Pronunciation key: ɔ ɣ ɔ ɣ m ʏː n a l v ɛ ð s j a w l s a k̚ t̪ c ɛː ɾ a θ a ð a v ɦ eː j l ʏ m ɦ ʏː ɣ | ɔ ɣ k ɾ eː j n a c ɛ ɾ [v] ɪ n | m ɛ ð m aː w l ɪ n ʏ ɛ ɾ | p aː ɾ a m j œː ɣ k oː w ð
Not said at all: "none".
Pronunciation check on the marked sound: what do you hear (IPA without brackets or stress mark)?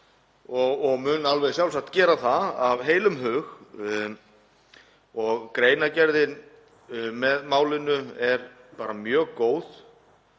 ð